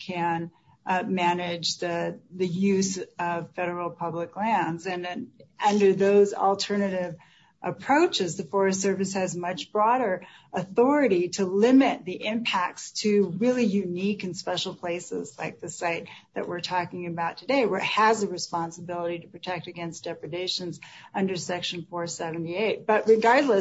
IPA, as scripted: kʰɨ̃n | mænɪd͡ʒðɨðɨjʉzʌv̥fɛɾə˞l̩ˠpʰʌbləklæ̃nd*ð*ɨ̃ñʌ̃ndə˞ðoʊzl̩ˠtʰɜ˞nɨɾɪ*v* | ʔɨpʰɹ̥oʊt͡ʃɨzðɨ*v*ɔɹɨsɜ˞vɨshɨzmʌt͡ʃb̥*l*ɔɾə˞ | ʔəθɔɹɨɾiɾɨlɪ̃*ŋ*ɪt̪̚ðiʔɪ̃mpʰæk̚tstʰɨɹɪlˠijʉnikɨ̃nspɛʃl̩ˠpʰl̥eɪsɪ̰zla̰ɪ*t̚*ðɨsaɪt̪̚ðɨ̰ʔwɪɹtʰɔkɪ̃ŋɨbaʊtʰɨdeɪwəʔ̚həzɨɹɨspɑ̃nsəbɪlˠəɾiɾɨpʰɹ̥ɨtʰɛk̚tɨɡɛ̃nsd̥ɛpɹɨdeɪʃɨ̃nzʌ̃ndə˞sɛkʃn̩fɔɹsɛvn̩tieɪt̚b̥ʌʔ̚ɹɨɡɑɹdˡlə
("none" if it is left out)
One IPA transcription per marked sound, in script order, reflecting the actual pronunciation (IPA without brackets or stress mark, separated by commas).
z, v, f, ɹ, m, k̚